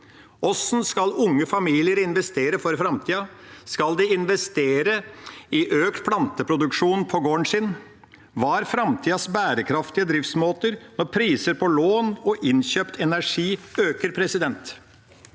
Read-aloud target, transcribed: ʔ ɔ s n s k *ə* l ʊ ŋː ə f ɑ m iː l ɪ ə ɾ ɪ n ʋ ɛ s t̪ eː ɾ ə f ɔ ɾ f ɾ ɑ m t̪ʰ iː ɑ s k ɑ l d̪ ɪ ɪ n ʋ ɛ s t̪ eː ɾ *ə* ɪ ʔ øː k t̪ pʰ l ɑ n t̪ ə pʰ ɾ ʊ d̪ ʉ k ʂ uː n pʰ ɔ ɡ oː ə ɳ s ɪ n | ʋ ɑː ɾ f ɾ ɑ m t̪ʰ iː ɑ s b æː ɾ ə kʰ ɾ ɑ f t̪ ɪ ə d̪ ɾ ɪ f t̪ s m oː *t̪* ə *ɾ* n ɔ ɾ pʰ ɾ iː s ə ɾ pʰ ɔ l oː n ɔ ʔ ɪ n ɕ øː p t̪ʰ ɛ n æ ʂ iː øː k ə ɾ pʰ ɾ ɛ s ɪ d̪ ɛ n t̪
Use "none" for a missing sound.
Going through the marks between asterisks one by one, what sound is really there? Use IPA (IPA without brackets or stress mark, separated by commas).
ɑ, ə, t̪, ɾ